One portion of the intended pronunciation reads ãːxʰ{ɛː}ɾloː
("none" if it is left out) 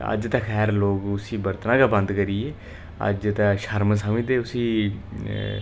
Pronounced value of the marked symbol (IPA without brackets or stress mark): ɛː